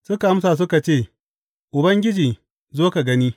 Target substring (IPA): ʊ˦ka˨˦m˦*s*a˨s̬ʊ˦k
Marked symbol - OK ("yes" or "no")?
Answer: yes